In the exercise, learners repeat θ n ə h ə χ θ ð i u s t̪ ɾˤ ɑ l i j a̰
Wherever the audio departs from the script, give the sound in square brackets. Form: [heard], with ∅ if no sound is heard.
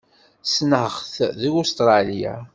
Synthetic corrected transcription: [s] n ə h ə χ θ ð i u s t̪ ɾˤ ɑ l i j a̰